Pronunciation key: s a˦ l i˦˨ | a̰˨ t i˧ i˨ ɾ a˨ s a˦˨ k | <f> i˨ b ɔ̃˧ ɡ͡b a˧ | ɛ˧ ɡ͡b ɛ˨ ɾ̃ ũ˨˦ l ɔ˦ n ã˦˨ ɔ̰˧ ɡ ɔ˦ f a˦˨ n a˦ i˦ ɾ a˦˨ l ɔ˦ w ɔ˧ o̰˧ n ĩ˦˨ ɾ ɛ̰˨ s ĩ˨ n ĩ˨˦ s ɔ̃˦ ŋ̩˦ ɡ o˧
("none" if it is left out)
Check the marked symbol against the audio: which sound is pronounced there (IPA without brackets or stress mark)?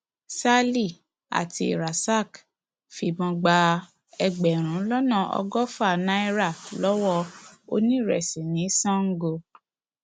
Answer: f